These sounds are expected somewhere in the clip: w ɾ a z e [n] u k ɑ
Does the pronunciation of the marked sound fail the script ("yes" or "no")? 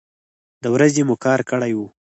yes